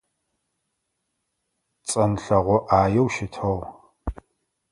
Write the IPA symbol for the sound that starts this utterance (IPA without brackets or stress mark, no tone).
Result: t͡sʼ